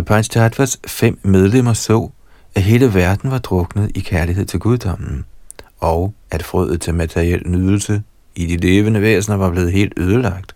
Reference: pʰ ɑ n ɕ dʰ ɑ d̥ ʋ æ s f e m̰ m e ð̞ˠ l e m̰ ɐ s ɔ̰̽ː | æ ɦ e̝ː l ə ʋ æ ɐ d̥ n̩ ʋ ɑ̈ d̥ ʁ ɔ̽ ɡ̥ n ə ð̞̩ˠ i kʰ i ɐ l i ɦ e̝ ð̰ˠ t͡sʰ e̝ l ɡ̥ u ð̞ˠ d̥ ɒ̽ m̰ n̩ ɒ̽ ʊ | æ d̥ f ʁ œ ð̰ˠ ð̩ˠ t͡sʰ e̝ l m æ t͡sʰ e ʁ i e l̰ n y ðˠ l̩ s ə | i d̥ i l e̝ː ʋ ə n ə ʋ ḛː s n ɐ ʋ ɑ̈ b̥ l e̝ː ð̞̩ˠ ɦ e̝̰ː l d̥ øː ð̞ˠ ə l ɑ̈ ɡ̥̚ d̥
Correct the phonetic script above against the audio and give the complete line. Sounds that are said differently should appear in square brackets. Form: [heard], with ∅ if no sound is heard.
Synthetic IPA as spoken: pʰ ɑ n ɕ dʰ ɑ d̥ ʋ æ s f e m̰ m e ð̞ˠ l e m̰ ɐ s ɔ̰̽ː | æ ɦ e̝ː l ə ʋ æ ɐ d̥ n̩ ʋ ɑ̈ d̥ ʁ ɔ̽ ɡ̥ n ə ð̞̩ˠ i kʰ [æ] ɐ l i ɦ e̝ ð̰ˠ t͡sʰ e̝ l ɡ̥ u ð̞ˠ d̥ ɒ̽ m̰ n̩ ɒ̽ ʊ | æ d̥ f ʁ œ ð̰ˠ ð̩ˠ t͡sʰ e̝ l m æ t͡sʰ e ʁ i e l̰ n y ðˠ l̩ s ə | i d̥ i l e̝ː ʋ ə n ə ʋ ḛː s n ɐ ʋ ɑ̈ b̥ l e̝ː ð̞̩ˠ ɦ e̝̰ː l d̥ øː ð̞ˠ ə l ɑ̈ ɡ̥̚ d̥